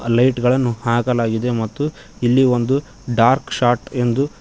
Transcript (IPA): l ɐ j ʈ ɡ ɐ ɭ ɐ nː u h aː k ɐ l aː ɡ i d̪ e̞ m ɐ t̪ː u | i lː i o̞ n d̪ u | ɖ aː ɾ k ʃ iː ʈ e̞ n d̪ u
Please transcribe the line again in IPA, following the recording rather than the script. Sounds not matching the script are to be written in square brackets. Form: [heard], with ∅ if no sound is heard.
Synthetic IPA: l ɐ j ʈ ɡ ɐ ɭ ɐ nː u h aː k ɐ l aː ɡ i d̪ e̞ m ɐ t̪ː u | i lː i o̞ n d̪ u | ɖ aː ɾ k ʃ [aː] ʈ e̞ n d̪ u